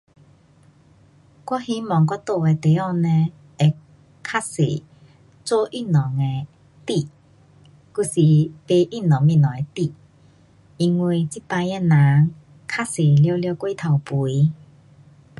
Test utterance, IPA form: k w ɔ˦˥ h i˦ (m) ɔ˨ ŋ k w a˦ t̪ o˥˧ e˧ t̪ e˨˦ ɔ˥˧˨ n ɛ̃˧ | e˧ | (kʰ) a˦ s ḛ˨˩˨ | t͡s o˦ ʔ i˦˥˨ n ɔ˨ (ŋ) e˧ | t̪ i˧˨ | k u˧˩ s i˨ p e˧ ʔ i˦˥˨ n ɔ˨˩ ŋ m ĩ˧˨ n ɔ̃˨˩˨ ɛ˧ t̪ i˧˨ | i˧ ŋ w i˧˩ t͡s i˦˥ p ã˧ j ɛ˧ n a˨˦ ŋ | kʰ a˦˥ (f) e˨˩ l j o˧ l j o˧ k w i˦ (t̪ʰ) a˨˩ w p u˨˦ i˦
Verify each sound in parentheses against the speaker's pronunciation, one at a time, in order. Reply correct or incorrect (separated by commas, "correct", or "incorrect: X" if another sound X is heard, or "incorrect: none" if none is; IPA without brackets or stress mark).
correct, correct, correct, incorrect: s, correct